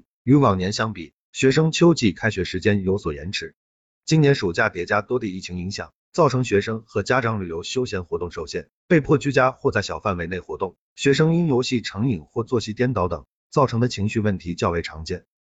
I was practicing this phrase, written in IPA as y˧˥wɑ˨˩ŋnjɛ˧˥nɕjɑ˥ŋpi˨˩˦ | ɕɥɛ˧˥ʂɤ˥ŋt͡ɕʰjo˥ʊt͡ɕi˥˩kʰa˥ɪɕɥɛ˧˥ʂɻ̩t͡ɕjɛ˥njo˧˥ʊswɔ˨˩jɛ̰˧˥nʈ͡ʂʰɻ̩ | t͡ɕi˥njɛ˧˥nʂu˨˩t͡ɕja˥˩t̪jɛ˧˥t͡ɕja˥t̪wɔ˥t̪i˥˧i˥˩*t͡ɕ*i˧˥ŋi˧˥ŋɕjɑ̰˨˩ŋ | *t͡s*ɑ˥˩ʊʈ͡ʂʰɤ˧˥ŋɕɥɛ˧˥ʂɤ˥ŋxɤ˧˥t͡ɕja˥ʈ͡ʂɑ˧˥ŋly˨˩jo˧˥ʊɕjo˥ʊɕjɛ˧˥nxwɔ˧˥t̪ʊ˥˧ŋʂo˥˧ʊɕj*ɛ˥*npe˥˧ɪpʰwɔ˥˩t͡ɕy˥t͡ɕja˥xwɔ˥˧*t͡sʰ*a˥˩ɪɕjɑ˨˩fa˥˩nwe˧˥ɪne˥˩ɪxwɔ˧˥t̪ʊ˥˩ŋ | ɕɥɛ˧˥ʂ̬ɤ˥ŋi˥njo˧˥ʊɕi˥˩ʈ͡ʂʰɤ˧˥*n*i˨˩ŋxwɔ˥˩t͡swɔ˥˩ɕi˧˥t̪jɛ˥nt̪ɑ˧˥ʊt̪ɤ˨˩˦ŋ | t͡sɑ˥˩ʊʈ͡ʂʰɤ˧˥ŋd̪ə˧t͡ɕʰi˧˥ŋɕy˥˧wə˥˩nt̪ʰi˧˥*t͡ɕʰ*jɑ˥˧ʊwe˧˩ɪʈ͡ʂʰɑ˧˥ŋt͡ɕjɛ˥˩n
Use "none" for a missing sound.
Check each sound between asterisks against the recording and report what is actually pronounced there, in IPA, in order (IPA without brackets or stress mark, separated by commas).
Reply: t͡ɕʰ, t͡s, ɛ˥˩, t͡s, ŋ, t͡ɕ